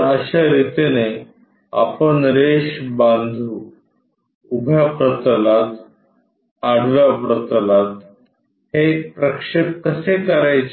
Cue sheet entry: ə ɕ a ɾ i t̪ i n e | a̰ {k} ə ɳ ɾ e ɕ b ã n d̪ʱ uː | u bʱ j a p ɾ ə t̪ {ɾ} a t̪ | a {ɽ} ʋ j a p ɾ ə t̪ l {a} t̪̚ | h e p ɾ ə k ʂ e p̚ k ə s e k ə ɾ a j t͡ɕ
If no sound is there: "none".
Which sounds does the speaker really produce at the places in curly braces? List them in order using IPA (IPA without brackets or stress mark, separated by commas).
p, l, ɽ, a